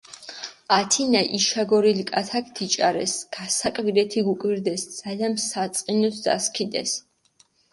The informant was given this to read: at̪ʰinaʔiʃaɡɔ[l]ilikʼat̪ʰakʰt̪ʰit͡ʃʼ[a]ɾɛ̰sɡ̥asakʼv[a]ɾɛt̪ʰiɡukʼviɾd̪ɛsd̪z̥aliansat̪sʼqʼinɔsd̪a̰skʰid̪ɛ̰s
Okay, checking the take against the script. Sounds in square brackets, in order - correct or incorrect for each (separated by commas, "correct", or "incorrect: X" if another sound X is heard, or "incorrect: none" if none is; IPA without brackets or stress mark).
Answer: incorrect: ɾ, correct, incorrect: i